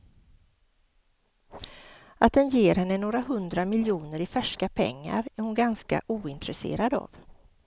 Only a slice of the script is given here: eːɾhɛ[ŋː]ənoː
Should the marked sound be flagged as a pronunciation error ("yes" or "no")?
yes